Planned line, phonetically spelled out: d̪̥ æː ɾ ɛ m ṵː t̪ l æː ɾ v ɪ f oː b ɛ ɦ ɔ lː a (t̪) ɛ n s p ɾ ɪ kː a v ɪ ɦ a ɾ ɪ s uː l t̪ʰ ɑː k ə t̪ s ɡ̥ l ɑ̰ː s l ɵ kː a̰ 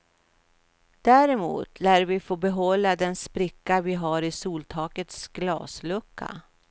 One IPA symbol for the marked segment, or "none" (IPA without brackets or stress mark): d̪